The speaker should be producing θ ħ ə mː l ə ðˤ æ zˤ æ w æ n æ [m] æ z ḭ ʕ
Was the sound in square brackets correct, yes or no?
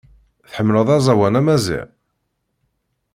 yes